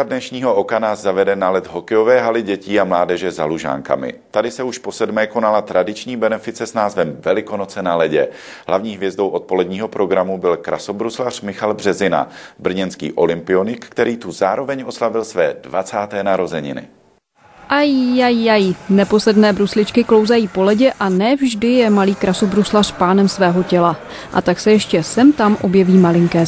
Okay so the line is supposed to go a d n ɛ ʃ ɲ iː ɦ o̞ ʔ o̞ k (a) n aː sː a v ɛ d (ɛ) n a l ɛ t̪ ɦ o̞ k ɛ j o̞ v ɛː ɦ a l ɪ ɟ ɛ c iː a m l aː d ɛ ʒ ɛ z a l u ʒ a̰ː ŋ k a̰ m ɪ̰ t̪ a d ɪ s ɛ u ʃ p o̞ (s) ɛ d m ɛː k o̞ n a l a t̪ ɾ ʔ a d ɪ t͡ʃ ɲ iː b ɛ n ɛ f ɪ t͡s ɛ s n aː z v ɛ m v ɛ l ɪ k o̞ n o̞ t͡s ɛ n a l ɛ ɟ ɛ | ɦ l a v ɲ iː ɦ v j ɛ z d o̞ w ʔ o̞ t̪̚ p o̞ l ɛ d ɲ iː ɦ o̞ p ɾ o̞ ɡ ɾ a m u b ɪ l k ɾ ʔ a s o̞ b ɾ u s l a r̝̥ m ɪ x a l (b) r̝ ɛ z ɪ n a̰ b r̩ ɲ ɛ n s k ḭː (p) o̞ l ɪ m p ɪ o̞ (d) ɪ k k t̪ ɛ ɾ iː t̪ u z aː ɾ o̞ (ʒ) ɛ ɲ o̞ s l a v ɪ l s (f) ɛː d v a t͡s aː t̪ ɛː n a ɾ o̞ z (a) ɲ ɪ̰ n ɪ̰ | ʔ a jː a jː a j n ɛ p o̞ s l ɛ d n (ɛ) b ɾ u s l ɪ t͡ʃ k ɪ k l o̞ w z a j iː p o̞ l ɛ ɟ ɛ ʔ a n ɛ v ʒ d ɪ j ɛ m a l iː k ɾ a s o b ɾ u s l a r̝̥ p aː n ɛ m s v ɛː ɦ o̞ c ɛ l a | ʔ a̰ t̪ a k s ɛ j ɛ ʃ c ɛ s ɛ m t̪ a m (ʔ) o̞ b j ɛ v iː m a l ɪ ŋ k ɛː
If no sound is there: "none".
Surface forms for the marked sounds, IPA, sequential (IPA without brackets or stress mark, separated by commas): a, ɛ, s, b, ʔ, n, v, v, ɛ, ɛː, ʔ